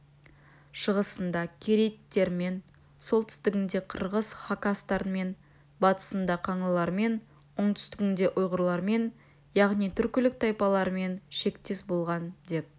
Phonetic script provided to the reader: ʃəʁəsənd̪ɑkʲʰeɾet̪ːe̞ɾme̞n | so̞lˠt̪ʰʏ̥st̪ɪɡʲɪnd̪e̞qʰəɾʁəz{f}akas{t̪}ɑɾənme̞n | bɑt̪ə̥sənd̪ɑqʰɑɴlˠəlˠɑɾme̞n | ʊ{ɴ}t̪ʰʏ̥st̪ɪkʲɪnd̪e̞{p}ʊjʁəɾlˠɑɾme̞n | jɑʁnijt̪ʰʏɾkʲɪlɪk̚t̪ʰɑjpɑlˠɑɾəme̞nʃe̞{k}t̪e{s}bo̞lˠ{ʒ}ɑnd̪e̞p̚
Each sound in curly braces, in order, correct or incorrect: incorrect: χ, correct, correct, incorrect: ʔ, correct, correct, incorrect: ʁ

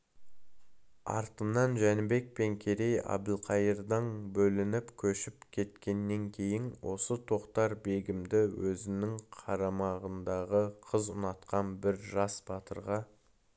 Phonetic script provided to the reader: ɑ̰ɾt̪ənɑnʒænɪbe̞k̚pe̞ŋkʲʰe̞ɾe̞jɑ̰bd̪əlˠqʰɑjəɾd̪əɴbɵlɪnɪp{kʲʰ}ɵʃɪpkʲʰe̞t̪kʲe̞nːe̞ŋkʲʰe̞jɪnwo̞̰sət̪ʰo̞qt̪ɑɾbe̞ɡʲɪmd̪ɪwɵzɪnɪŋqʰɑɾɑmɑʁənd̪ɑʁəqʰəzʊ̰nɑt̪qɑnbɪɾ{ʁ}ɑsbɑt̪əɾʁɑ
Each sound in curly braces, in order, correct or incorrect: correct, incorrect: ʒ

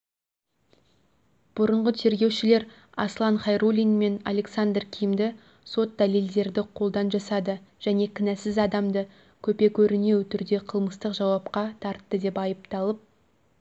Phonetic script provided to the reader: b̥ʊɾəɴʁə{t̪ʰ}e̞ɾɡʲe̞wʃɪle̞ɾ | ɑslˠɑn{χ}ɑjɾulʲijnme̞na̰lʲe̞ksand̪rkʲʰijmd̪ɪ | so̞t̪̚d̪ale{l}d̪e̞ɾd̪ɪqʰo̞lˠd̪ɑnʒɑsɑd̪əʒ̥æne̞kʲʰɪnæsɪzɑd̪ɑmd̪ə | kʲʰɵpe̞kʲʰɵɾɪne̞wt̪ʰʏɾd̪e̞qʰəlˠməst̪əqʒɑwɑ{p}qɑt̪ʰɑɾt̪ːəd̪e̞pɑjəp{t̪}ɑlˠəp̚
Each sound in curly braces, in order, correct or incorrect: correct, correct, correct, correct, correct

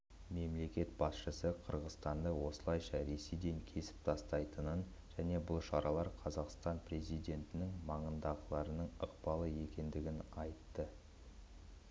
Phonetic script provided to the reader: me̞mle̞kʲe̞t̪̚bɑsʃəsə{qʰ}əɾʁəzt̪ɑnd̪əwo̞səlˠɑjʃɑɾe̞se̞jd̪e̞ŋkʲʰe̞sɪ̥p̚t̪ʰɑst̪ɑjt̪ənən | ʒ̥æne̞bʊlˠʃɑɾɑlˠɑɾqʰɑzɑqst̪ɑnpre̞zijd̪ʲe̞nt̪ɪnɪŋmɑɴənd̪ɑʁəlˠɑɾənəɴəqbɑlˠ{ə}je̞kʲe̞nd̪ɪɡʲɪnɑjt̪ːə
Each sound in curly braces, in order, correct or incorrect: correct, correct

